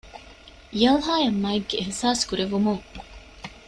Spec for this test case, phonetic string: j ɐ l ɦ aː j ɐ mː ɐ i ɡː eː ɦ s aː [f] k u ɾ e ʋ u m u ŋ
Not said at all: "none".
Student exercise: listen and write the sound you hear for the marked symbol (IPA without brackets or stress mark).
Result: s